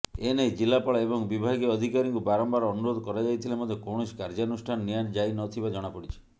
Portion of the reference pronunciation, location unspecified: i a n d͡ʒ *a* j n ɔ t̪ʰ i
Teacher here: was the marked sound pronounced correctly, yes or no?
yes